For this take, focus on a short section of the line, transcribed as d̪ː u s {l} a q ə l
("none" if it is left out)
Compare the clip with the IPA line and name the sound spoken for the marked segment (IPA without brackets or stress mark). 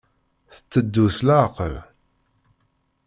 l